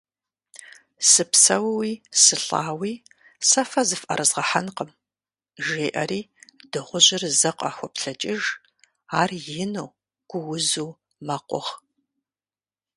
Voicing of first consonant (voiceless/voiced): voiceless